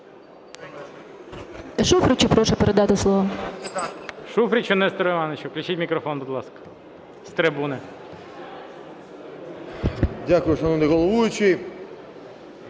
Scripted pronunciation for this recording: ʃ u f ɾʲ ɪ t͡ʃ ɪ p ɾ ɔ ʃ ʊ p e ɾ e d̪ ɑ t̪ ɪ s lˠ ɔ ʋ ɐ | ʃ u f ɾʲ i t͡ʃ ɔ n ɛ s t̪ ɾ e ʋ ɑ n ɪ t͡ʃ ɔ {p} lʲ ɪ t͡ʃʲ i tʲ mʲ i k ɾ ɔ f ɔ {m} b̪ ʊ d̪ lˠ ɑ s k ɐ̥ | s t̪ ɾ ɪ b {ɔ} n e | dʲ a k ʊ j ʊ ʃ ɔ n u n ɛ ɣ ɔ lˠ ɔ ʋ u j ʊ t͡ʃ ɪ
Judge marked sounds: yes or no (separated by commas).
no, no, no